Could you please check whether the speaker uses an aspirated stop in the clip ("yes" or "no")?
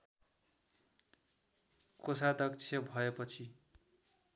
yes